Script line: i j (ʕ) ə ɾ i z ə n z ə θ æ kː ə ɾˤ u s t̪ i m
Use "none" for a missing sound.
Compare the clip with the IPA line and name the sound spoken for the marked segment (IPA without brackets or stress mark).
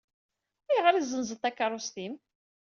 ʁ